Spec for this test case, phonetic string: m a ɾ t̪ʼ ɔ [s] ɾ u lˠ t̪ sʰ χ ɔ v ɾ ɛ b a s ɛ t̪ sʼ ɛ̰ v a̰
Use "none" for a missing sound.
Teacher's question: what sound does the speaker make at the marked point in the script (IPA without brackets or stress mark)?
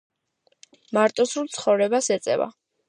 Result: s